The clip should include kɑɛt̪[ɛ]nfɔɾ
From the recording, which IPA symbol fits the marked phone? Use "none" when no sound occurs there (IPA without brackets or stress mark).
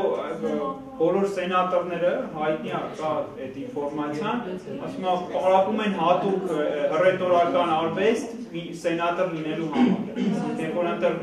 i